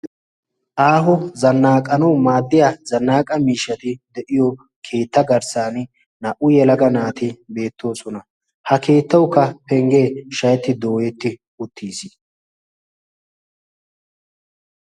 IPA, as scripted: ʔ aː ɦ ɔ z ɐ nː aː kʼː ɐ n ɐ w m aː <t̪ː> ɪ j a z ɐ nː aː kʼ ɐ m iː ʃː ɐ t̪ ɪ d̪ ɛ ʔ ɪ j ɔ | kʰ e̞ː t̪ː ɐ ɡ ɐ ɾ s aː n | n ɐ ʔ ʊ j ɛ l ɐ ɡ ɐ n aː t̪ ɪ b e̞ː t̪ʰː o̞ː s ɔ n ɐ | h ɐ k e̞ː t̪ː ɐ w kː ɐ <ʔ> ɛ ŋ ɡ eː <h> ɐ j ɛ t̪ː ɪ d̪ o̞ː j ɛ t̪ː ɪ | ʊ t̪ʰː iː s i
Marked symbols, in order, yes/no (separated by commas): no, no, no